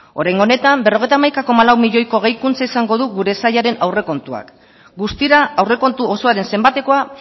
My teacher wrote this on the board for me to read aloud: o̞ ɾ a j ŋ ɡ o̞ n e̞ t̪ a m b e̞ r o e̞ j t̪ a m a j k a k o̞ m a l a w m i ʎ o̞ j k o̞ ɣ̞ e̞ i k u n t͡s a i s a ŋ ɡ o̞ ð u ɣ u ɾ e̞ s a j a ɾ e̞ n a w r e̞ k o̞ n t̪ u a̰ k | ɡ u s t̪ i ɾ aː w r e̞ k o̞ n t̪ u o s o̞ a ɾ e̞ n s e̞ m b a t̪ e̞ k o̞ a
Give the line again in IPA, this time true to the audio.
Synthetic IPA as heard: o̞ ɾ a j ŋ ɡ o̞ n e̞ t̪ a m b e̞ r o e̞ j t̪ a m a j k a k o̞ m a l a w m i ʎ o̞ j k o̞ ɣ̞ e̞ j k u n t͡s a i s a ŋ ɡ o̞ ð u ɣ u ɾ e̞ s a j a ɾ e̞ n a w r e̞ k o̞ n t̪ u a̰ k | ɡ u s t̪ i ɾ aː w r e̞ k o̞ n t̪ u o s o̞ a ɾ e̞ n s e̞ m b a t̪ e̞ k o̞ a